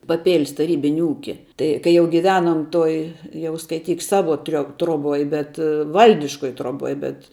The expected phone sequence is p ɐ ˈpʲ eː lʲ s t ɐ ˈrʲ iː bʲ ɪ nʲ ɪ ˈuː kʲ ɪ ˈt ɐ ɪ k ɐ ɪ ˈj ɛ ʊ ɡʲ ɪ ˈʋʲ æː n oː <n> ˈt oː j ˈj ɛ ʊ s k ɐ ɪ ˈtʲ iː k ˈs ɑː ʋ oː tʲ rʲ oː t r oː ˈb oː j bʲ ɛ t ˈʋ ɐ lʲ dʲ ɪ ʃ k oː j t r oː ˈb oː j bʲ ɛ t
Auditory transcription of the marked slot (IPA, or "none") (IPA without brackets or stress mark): m